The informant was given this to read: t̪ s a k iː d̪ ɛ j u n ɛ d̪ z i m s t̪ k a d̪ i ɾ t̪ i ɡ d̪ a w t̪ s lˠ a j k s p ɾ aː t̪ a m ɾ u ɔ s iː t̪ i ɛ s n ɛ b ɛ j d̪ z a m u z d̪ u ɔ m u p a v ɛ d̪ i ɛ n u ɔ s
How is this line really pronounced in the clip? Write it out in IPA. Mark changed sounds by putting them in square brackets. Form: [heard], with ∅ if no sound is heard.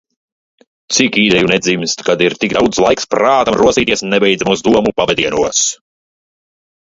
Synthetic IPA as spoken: t̪ s [i] k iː d̪ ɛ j u n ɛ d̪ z i m s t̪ k a d̪ i ɾ t̪ i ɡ d̪ a w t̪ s lˠ a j k s p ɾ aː t̪ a m ɾ u ɔ s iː t̪ i ɛ s n ɛ b ɛ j d̪ z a m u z d̪ u ɔ m u p a v ɛ d̪ i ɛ n u ɔ s